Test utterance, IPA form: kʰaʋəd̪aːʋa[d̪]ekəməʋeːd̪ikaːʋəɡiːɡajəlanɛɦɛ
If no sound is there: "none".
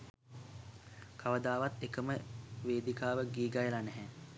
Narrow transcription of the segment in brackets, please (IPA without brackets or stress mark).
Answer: t̪